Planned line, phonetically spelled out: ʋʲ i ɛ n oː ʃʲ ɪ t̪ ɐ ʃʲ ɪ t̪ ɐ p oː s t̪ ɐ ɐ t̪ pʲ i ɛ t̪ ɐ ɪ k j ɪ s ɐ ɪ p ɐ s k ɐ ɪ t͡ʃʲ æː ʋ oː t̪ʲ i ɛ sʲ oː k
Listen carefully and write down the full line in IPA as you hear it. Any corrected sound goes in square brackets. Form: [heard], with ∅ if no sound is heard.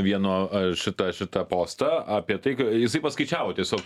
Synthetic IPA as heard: ʋʲ i ɛ n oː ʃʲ ɪ t̪ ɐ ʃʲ ɪ t̪ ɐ p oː s t̪ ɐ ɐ [∅] pʲ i ɛ t̪ ɐ ɪ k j ɪ s ɐ ɪ p ɐ s k ɐ ɪ t͡ʃʲ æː ʋ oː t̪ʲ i ɛ sʲ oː k